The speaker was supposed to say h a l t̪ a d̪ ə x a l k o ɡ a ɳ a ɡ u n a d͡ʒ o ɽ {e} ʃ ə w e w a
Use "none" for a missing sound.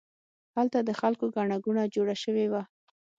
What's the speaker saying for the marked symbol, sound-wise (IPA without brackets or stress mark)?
a